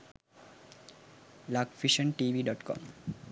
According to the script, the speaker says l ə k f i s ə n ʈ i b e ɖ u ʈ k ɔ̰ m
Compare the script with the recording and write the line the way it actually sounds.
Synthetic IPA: l a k f i ʃ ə n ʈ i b i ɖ ɔ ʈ k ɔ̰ m